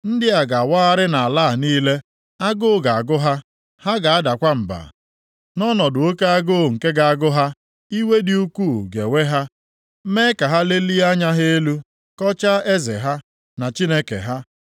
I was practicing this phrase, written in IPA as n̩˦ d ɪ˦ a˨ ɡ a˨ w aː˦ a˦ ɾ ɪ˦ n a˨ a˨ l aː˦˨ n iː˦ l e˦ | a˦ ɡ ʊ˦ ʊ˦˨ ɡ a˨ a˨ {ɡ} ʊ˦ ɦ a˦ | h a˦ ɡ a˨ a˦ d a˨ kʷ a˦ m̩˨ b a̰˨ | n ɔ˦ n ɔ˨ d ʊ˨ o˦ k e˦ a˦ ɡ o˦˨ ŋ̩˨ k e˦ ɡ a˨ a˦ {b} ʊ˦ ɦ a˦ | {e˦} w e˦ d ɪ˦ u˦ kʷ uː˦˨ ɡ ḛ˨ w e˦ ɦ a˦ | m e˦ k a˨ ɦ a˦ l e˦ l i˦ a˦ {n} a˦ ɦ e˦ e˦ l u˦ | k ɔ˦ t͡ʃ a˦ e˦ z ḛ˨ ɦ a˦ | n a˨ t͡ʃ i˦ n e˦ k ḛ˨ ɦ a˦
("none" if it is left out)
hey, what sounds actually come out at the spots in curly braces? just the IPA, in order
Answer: ɡ, ɡ, i˦, ɲ

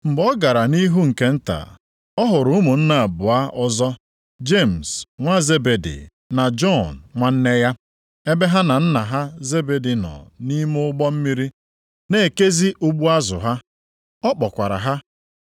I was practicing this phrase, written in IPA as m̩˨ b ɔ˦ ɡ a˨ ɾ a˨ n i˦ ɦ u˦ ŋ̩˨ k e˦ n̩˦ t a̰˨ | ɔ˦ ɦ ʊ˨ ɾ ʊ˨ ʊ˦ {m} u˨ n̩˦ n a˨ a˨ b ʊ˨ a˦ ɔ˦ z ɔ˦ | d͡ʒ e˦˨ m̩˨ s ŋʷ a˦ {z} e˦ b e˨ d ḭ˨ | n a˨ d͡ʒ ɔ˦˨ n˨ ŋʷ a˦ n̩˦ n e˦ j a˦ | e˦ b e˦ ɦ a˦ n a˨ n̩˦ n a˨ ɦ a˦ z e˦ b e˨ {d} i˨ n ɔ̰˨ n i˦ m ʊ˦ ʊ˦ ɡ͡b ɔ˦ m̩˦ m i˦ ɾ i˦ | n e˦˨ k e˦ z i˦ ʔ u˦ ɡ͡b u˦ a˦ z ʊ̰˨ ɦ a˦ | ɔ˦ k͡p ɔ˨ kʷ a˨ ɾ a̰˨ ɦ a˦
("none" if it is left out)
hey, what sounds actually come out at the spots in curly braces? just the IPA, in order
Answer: m, z, d

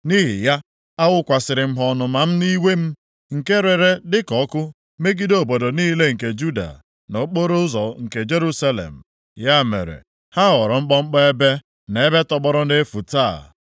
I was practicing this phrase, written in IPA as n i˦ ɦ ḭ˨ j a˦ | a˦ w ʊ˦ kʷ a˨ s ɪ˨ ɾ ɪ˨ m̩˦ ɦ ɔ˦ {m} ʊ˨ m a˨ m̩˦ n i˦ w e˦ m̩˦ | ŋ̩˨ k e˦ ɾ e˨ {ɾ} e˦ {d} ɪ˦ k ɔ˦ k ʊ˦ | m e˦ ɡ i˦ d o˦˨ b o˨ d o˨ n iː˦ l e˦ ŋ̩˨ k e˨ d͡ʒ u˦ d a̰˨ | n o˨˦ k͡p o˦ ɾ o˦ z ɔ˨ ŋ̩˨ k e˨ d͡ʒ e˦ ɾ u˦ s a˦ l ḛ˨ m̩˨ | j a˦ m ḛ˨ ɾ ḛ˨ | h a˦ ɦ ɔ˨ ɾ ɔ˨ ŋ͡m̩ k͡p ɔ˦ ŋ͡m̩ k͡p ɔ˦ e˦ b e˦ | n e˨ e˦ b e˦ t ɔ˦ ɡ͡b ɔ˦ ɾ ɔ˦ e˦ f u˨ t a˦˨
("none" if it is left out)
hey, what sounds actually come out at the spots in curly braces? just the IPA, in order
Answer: n, ɾ, d

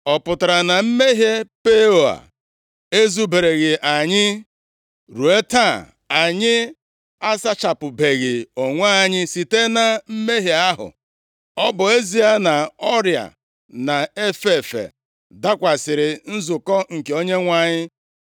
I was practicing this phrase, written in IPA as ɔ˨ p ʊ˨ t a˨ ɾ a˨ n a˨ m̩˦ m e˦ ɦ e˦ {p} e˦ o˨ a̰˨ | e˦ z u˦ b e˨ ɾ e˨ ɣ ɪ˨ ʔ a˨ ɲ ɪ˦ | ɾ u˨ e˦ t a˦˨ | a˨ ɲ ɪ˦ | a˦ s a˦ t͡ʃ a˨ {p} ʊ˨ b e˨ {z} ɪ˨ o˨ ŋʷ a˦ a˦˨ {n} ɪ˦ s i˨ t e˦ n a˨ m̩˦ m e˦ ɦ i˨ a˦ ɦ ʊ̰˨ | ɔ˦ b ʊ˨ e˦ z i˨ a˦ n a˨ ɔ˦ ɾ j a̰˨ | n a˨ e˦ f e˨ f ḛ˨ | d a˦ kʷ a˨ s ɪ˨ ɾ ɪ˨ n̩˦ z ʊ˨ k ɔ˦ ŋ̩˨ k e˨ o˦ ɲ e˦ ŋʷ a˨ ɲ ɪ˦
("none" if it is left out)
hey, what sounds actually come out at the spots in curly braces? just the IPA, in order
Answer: p, p, ɣ, ɲ

